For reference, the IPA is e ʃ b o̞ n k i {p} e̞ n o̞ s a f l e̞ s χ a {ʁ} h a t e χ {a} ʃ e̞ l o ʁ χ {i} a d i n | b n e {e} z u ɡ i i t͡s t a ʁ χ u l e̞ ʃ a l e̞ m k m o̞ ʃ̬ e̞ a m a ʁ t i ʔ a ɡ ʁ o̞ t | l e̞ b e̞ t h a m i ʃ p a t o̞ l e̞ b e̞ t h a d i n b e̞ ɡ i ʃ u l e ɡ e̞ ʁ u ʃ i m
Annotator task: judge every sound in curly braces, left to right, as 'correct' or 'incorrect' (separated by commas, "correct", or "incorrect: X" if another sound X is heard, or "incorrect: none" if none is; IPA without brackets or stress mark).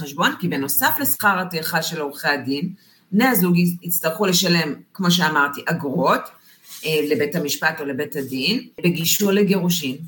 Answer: incorrect: b, correct, correct, incorrect: e, incorrect: a